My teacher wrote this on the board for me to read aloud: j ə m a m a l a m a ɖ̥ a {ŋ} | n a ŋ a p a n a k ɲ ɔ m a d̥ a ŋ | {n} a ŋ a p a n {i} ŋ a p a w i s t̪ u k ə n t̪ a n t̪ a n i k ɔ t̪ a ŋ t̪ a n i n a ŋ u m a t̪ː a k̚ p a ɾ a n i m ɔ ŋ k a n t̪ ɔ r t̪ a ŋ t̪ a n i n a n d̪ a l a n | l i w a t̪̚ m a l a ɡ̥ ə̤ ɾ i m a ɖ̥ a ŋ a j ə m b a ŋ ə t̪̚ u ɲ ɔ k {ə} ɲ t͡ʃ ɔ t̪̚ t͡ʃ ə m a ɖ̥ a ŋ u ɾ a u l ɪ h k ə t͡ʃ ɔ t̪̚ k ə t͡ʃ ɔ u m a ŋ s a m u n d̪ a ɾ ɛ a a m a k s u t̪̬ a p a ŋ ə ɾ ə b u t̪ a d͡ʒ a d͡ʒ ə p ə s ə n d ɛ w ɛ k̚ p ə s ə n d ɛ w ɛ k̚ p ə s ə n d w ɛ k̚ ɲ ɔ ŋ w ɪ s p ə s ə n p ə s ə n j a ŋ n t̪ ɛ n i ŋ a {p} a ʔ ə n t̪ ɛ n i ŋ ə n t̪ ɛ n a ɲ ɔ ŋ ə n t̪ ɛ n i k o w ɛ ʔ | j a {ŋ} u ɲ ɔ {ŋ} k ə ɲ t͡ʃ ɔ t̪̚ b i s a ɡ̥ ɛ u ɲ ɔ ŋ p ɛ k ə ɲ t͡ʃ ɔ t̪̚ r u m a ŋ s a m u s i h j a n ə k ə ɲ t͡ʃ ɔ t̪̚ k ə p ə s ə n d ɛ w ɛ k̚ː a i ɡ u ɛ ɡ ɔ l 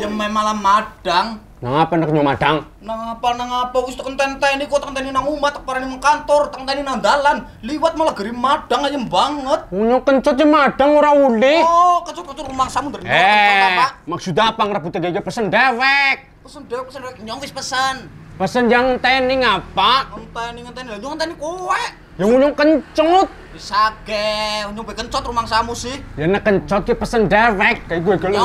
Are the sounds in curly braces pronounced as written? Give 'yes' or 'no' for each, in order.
yes, yes, no, yes, yes, yes, yes

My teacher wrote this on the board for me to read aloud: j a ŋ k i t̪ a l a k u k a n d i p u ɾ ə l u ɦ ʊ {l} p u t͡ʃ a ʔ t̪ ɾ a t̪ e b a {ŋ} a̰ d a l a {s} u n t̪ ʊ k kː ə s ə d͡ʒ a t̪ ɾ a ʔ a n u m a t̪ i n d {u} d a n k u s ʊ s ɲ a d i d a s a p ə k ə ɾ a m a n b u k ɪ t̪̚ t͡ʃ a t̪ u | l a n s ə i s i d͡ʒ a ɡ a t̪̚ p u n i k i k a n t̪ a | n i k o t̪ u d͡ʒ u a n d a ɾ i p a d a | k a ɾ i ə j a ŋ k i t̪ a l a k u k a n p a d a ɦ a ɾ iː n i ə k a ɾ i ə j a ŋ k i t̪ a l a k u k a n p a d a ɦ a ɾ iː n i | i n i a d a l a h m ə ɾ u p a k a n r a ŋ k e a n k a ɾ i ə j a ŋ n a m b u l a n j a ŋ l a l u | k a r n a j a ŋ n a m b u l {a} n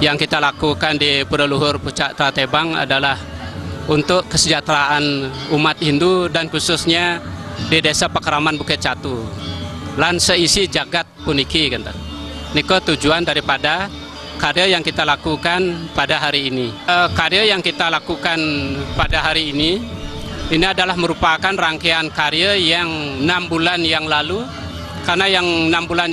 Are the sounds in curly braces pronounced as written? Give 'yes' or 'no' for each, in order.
no, yes, no, yes, yes

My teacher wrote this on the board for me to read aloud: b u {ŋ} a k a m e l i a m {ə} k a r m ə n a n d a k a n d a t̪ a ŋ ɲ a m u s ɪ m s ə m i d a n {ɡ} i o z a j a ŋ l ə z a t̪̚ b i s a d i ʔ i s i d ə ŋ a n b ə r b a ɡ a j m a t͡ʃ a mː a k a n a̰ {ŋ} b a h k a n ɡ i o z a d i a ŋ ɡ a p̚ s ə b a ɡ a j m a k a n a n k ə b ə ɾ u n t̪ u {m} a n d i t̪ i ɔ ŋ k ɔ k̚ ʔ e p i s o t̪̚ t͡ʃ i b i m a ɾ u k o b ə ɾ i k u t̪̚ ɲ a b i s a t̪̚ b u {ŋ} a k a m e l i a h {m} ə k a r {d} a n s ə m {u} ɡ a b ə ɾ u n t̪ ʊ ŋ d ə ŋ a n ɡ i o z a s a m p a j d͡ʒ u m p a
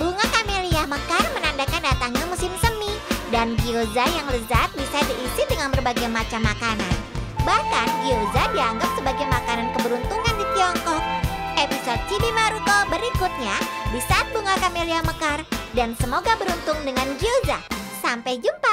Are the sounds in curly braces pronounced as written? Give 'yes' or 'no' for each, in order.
yes, yes, yes, no, no, yes, yes, yes, no

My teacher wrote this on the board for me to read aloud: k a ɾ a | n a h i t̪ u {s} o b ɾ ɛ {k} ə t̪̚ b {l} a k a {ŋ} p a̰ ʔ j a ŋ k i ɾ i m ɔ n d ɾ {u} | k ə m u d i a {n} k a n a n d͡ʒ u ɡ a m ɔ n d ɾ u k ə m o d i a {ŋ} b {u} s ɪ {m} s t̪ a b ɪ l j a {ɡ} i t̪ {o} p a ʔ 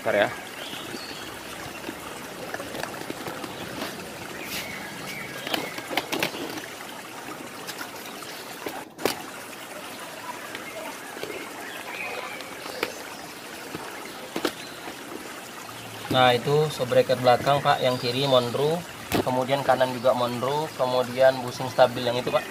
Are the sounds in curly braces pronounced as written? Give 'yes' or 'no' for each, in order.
yes, yes, yes, yes, yes, yes, no, yes, no, no, no

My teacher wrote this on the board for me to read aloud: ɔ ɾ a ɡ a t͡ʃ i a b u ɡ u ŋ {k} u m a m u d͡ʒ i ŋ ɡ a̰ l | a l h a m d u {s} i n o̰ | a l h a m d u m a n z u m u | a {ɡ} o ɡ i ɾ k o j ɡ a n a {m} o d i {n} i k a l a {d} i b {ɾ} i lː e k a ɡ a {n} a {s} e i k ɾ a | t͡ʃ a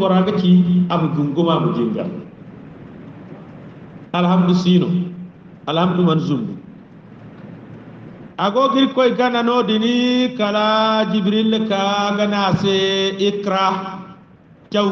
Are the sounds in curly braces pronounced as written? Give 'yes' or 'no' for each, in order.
no, yes, yes, no, yes, no, yes, yes, yes

